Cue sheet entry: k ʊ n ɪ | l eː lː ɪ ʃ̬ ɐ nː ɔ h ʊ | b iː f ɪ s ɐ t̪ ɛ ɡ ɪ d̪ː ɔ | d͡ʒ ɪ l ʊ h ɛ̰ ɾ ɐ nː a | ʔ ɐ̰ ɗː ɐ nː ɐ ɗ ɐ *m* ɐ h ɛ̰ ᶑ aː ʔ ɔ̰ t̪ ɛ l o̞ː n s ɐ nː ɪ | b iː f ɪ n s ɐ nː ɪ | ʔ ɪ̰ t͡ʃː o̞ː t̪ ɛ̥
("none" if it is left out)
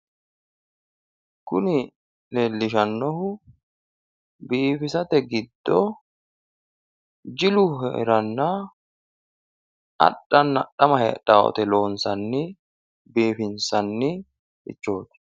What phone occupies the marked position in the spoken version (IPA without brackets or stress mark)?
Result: m